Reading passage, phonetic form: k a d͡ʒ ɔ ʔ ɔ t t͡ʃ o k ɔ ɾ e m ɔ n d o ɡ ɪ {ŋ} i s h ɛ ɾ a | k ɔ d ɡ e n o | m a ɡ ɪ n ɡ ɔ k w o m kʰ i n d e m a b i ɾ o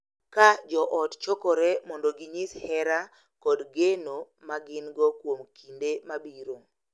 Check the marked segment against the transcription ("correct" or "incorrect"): incorrect